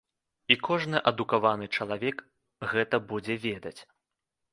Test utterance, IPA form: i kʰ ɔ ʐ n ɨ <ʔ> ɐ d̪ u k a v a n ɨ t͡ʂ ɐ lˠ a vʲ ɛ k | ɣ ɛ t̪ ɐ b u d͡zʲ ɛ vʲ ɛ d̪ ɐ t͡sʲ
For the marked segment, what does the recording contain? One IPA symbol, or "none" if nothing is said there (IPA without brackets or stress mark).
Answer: ʔ